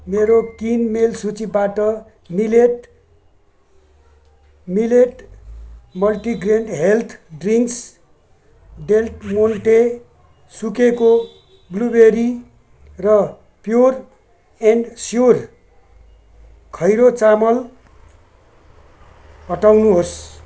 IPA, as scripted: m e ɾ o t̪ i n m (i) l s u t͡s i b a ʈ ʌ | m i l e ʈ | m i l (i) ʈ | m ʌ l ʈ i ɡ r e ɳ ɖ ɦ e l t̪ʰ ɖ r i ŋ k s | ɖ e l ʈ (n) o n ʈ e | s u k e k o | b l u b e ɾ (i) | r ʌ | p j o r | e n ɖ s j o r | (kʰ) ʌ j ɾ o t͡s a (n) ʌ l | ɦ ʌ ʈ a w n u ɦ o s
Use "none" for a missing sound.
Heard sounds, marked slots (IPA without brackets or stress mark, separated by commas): e, e, m, i, kʰ, m